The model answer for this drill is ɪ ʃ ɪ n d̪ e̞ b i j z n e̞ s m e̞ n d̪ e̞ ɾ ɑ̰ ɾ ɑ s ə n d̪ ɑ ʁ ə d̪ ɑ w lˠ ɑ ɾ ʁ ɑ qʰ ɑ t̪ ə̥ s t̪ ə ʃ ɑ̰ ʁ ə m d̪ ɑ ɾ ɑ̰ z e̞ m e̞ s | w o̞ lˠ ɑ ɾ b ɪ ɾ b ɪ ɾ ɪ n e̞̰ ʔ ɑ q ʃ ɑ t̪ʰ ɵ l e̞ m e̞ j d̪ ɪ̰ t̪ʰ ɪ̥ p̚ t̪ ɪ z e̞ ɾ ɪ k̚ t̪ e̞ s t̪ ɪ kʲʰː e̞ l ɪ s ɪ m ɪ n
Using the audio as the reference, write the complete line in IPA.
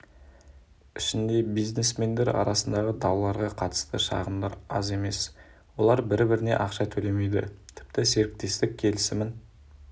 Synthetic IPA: ɪ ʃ ɪ n d̪ e̞ b i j z n e̞ s m e̞ n d̪ e̞ ɾ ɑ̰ ɾ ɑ s ə n d̪ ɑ ʁ ə d̪ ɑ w lˠ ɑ ɾ ʁ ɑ qʰ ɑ t̪ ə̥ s t̪ ə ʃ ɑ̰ ʁ ə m d̪ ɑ ɾ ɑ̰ z e̞ m e̞ s | w o̞ lˠ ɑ ɾ b ɪ ɾ b ɪ ɾ ɪ n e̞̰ ʔ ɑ q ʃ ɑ t̪ʰ ɵ l e̞ m e̞ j d̪ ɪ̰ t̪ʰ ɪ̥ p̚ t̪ ɪ s e̞ ɾ ɪ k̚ t̪ e̞ s t̪ ɪ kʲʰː e̞ l ɪ s ɪ m ɪ n